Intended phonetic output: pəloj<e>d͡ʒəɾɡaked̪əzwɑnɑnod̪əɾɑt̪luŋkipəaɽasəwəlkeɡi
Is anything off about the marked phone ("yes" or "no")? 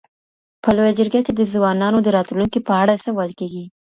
yes